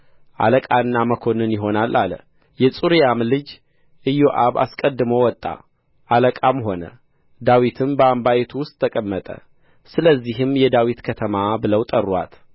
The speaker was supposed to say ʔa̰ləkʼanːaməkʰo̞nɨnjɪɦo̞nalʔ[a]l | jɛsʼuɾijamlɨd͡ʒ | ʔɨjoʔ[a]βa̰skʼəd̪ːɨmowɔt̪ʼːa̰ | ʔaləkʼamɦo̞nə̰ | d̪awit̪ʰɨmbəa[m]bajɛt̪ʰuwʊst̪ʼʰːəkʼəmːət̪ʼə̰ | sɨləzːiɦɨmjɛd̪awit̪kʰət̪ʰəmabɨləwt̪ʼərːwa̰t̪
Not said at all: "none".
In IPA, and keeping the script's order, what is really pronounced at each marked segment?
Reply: a, a, m

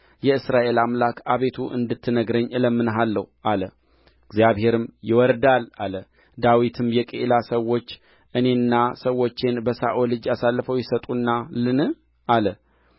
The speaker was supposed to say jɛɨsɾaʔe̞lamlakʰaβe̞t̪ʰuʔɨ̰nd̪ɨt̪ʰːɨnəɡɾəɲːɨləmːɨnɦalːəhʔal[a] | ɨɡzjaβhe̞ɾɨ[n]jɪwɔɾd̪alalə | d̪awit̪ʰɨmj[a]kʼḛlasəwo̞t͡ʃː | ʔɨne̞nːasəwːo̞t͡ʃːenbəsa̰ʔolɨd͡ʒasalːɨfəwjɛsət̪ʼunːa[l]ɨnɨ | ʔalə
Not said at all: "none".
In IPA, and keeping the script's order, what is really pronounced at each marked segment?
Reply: ə, m, ɛ, l

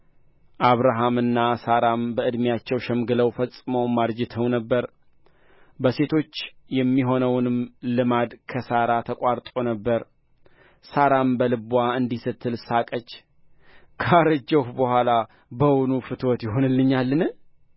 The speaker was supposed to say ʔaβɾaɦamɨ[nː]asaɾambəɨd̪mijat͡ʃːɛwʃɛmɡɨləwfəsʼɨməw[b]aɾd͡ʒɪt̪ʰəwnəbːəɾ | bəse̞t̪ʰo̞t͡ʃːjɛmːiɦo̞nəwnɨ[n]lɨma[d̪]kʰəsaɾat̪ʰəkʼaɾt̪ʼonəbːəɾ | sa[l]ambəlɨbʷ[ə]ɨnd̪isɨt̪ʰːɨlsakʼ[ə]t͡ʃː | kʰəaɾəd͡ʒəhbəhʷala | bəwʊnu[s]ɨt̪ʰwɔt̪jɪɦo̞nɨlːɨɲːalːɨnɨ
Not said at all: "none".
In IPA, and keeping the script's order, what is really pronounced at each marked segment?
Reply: nː, m, m, d̪, ɾ, a, ə, f

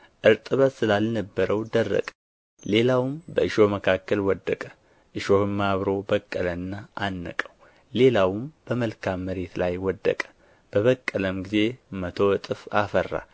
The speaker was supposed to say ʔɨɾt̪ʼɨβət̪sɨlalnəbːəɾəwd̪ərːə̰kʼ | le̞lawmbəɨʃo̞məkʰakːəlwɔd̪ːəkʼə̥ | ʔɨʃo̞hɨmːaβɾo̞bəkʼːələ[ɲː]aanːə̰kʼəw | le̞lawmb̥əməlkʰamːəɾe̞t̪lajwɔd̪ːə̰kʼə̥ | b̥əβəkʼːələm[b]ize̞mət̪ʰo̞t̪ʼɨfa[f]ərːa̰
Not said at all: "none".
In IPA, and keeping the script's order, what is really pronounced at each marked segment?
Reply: nː, ɡ, f

